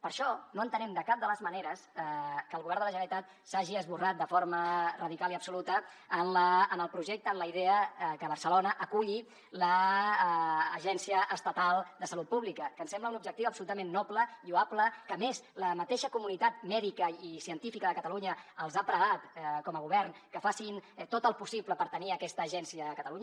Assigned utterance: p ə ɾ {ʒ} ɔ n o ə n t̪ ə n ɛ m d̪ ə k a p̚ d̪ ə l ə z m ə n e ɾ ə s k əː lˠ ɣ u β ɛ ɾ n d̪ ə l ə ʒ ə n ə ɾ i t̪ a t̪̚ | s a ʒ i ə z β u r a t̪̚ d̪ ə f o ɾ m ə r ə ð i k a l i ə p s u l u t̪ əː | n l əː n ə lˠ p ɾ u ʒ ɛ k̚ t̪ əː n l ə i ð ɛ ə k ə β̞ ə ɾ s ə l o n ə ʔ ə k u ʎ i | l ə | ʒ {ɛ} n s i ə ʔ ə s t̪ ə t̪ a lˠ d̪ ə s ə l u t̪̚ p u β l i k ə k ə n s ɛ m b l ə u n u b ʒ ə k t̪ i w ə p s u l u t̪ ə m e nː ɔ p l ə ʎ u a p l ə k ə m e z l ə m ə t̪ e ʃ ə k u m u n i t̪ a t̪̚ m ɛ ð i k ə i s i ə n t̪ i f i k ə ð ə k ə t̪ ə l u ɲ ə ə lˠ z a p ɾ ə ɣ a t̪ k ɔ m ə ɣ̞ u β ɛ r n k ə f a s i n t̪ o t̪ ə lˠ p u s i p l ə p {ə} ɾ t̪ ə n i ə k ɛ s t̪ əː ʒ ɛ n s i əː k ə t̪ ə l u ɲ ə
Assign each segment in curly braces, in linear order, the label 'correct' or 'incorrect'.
incorrect: ʃ, correct, correct

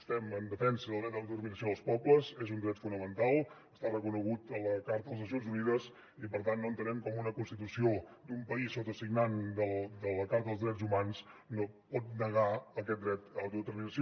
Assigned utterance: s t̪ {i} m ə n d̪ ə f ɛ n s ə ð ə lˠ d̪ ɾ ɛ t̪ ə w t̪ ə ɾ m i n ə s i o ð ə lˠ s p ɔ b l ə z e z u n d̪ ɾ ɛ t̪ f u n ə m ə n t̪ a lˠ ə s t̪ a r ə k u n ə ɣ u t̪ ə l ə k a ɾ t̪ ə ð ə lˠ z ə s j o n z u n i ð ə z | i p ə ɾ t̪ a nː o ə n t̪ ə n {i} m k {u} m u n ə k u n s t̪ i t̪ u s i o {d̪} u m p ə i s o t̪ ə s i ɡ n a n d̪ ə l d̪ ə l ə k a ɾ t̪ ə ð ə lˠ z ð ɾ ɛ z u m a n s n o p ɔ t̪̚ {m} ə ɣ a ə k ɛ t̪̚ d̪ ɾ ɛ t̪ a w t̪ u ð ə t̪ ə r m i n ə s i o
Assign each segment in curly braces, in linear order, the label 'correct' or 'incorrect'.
incorrect: ɛ, incorrect: ɛ, incorrect: ɔ, correct, incorrect: n

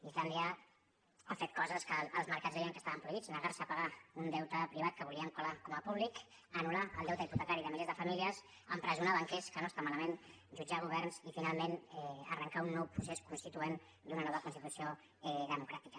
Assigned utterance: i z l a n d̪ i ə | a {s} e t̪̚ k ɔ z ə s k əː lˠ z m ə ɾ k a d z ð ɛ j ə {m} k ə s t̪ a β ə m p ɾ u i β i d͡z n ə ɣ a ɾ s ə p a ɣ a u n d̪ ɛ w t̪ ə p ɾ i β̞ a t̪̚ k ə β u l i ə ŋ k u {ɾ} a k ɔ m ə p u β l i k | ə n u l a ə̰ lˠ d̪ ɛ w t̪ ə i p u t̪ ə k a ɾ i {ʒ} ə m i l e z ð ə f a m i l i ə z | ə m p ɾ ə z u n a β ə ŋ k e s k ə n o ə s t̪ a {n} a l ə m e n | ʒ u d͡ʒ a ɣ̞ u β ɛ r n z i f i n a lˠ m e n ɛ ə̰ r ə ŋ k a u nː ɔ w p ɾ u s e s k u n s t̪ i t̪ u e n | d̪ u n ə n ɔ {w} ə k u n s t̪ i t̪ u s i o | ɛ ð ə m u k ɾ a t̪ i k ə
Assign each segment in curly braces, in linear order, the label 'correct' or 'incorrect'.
incorrect: f, incorrect: ŋ, incorrect: l, incorrect: ð, incorrect: m, incorrect: β

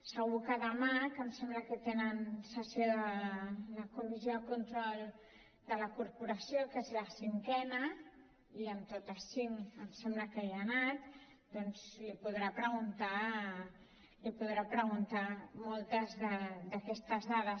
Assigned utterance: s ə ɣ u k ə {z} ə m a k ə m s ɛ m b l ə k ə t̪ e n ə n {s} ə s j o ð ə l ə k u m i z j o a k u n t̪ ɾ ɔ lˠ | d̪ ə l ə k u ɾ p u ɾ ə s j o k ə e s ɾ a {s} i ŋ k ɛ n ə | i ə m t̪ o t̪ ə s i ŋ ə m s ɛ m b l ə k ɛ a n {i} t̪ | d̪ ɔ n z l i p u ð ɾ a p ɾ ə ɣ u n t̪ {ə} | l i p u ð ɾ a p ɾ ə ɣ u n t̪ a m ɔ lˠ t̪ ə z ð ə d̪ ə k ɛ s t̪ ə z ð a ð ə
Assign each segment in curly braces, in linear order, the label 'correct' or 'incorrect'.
incorrect: ð, correct, correct, incorrect: a, incorrect: a

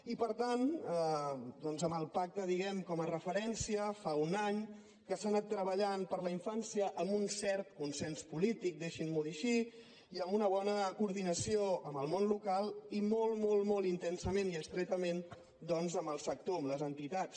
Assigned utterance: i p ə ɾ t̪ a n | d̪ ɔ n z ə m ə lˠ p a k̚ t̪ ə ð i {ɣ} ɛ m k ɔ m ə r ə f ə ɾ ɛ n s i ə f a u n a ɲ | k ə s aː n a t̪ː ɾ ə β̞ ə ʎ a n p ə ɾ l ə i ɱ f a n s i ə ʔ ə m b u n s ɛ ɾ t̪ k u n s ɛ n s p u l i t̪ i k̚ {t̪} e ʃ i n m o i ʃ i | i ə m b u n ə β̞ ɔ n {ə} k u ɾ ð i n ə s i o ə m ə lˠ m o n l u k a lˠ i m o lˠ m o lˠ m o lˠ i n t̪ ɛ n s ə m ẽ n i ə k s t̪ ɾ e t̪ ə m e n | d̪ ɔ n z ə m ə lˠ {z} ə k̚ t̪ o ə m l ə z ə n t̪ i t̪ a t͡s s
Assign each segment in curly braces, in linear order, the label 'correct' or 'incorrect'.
correct, incorrect: d̪, correct, incorrect: s

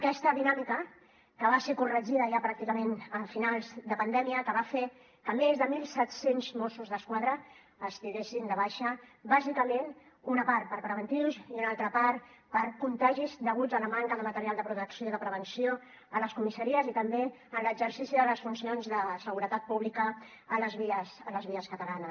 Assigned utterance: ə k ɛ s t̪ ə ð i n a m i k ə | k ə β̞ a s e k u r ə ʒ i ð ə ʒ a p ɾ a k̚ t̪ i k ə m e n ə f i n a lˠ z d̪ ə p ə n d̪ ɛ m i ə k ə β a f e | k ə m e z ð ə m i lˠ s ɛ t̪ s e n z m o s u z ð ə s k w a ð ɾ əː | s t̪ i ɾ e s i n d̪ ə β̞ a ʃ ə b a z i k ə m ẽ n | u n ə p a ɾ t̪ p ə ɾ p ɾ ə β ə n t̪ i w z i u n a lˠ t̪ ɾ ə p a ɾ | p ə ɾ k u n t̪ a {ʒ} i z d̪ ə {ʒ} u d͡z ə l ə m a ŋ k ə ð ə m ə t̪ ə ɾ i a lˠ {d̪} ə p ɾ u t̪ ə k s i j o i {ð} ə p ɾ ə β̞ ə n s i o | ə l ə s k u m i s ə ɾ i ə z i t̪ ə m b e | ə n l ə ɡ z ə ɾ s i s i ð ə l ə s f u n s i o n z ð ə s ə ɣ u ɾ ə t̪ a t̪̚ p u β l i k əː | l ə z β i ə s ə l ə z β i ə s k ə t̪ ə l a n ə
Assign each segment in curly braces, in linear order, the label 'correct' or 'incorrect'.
correct, incorrect: ɣ, correct, correct

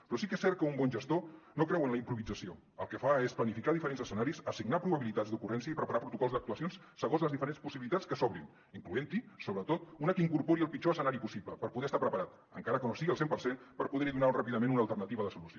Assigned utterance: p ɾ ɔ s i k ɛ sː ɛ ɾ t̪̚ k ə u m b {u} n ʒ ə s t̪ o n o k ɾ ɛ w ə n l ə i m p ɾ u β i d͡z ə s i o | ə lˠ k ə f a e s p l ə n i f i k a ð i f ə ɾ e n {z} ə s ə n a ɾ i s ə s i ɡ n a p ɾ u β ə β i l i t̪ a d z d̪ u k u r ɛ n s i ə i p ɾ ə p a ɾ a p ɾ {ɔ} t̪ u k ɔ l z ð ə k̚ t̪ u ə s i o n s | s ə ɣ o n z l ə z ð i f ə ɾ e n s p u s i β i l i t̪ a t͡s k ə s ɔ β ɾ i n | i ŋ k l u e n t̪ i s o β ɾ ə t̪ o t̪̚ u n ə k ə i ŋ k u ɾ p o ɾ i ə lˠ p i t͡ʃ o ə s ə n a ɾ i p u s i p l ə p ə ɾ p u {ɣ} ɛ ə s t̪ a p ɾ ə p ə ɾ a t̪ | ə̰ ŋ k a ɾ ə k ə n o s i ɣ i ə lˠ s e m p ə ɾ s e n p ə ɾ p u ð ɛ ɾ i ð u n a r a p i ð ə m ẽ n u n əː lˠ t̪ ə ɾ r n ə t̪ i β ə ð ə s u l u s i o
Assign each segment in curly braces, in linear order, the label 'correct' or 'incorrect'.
incorrect: ɔ, correct, incorrect: u, incorrect: ð

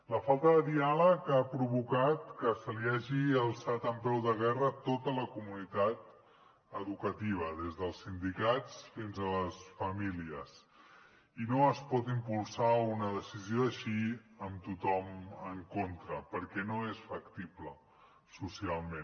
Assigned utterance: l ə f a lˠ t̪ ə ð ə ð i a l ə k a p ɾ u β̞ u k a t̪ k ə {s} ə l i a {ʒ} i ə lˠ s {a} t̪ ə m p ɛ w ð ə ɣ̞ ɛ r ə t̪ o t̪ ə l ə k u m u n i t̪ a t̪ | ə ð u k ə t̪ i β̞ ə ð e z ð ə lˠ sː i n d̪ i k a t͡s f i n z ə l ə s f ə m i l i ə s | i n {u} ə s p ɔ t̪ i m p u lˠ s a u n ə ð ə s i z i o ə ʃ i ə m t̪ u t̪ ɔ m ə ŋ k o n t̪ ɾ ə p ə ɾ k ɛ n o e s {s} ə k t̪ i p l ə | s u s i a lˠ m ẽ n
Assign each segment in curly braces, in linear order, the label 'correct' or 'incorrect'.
correct, correct, correct, incorrect: o, incorrect: f

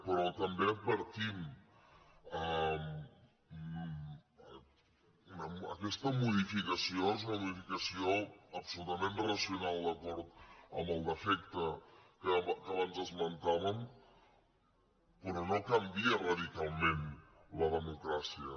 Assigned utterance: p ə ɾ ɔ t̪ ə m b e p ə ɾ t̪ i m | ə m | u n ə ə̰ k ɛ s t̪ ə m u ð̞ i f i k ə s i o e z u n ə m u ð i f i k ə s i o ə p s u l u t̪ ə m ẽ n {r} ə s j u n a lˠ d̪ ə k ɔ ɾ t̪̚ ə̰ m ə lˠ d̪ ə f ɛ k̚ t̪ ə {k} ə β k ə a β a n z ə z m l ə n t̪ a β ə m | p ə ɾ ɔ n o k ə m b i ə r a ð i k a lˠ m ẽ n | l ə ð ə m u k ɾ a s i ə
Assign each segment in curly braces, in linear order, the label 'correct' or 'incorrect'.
correct, correct

